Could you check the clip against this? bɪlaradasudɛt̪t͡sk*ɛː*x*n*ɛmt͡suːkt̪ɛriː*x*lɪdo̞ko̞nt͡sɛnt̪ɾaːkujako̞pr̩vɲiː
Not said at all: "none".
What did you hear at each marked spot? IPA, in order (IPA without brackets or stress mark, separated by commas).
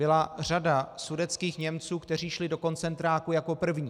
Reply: iː, ɲ, ʃ